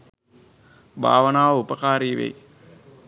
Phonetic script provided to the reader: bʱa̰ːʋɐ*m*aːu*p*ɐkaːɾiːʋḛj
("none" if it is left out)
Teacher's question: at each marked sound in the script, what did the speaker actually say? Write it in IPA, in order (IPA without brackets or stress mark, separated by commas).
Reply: n, p